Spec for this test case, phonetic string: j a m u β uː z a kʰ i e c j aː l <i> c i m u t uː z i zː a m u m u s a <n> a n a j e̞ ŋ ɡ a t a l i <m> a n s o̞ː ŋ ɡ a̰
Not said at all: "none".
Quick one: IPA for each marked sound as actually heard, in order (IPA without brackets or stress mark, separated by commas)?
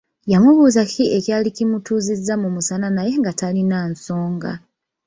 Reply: i, n, n